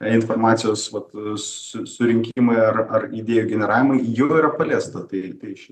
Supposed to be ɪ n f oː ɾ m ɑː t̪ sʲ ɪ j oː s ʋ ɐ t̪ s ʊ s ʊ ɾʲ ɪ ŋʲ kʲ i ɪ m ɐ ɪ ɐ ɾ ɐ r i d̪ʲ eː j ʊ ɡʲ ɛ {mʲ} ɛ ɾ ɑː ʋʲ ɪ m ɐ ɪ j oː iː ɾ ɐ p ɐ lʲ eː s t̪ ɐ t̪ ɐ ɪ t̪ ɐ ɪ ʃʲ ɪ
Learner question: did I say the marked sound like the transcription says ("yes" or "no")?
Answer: no